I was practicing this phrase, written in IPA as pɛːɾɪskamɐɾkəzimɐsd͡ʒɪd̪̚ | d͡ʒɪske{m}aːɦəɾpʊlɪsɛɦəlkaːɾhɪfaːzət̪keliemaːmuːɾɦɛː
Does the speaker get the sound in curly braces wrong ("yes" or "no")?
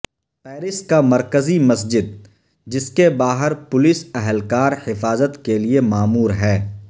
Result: yes